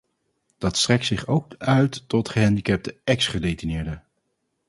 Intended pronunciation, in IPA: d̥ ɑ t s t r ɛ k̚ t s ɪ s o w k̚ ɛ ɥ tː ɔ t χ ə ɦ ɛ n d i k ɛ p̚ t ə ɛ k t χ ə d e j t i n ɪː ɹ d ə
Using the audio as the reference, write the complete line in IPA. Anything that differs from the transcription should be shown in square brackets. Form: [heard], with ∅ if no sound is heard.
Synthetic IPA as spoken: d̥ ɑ t s t r ɛ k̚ t s ɪ [χ] o w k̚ [œ] ɥ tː ɔ t χ ə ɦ ɛ n d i k ɛ p̚ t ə ɛ k [s] χ ə d e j t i n ɪː ɹ d ə